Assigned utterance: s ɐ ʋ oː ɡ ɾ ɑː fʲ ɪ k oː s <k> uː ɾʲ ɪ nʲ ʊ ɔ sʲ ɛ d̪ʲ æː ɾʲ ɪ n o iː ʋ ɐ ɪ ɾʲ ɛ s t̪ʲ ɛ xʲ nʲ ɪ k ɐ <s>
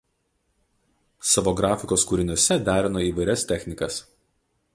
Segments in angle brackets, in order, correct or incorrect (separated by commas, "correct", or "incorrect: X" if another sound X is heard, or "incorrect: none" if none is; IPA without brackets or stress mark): correct, correct